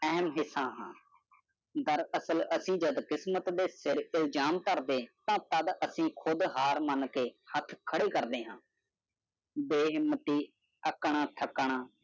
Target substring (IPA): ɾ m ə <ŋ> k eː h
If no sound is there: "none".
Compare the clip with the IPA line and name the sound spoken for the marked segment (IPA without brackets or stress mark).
n